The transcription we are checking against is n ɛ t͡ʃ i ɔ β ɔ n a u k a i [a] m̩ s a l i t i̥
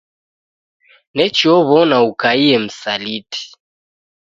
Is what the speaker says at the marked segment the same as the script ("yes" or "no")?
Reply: no